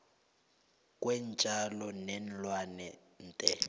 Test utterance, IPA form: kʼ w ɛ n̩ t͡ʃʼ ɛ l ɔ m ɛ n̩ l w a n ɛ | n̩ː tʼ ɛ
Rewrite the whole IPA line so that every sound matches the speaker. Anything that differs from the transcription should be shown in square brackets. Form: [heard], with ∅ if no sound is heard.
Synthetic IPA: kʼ w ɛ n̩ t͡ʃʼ [a] l ɔ [n] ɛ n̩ l w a n ɛ | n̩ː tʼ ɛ